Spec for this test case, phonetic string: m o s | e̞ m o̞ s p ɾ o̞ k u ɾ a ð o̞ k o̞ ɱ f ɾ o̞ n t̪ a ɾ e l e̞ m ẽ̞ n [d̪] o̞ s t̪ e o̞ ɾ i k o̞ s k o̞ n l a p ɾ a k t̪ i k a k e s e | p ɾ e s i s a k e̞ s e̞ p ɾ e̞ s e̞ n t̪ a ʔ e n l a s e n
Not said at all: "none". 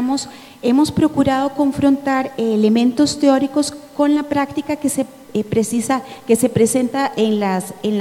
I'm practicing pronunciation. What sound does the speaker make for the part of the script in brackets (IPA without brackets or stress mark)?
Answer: t̪